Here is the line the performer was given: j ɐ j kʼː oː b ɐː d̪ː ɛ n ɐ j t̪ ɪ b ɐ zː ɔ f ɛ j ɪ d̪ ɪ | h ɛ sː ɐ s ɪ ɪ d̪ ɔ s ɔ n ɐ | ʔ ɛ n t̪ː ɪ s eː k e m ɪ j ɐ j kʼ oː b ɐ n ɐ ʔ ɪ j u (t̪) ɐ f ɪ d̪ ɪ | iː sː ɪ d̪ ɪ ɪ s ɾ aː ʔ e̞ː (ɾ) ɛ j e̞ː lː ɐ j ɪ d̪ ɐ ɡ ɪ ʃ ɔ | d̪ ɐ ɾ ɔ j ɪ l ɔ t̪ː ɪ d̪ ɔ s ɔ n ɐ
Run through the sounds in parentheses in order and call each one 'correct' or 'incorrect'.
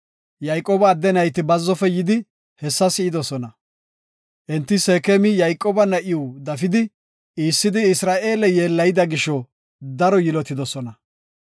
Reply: incorrect, incorrect

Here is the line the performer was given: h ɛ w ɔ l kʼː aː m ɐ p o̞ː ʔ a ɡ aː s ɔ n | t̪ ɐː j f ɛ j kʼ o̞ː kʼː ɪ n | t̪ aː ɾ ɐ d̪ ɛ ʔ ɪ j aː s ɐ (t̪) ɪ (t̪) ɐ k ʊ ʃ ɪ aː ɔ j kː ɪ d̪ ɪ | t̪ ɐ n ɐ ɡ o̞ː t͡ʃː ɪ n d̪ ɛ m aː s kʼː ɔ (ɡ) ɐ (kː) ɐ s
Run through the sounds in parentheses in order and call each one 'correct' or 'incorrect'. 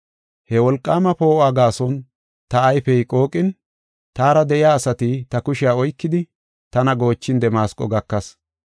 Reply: correct, correct, correct, correct

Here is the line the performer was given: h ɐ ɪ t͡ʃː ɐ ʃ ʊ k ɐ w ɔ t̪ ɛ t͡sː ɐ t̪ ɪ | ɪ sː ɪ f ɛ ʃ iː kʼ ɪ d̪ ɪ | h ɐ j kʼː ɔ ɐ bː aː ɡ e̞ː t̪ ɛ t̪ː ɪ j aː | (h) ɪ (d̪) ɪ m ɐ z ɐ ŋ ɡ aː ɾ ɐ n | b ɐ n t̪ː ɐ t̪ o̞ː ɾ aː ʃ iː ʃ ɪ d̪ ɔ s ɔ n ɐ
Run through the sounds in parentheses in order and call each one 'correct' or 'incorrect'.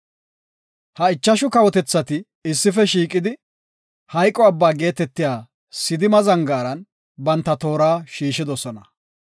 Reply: incorrect, correct

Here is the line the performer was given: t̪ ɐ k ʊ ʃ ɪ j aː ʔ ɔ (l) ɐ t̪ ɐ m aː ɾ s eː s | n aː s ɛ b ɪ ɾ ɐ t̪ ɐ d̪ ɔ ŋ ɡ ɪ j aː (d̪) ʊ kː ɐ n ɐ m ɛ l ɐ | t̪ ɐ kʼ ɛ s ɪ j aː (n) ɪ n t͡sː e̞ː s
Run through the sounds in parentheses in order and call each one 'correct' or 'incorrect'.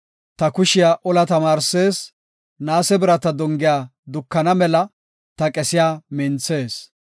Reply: correct, correct, incorrect

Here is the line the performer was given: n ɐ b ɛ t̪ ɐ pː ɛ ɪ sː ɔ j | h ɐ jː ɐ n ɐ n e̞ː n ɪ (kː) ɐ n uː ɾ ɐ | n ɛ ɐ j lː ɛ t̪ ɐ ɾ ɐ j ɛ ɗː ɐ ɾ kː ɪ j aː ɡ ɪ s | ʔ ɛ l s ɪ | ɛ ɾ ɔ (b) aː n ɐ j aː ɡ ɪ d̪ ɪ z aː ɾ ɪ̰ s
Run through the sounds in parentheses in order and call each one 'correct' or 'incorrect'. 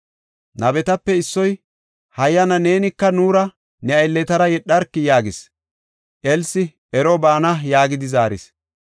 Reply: correct, correct

